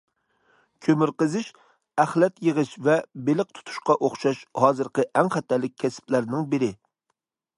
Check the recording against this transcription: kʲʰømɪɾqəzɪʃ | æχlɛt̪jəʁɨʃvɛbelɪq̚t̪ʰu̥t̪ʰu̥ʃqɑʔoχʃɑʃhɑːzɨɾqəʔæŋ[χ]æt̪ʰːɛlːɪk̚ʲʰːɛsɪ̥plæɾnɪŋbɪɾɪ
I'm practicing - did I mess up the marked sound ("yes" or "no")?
no